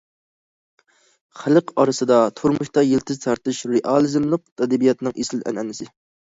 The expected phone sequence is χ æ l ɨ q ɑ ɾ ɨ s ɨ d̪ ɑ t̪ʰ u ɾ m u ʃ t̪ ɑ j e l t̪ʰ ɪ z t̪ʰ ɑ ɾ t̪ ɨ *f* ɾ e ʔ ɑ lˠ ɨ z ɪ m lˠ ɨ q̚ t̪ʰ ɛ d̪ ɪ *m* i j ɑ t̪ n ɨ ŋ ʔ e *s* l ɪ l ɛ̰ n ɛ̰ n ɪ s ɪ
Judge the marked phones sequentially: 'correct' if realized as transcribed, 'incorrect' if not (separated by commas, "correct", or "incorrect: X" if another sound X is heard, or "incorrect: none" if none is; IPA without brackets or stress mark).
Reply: incorrect: ʃ, incorrect: b, correct